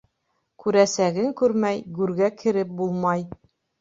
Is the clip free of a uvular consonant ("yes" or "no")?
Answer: yes